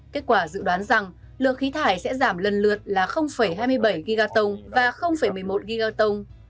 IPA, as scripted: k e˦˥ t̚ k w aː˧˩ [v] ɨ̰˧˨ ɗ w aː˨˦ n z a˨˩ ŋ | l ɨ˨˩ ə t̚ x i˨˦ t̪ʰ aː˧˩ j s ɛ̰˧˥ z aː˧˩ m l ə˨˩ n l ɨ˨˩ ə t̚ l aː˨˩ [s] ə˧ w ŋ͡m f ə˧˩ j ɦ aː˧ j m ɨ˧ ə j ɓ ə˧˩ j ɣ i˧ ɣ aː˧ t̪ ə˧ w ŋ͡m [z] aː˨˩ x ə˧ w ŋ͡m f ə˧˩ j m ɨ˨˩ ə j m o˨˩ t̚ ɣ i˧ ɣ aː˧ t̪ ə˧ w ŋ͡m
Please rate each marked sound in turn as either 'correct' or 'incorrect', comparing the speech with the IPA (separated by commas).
incorrect, incorrect, incorrect